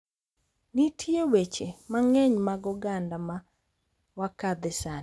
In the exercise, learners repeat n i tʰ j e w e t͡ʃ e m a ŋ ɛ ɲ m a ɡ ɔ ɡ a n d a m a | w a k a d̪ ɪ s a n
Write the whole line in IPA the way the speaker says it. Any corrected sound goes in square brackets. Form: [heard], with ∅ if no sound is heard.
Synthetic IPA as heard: n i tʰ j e w e t͡ʃ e m a ŋ ɛ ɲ m a ɡ ɔ ɡ a n d a m a | w a k a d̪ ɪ s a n